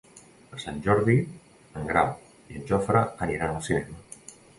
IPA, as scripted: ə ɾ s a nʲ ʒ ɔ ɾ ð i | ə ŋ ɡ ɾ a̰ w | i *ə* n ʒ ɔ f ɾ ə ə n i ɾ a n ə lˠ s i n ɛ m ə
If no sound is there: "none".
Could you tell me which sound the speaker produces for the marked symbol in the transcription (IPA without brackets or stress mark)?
ə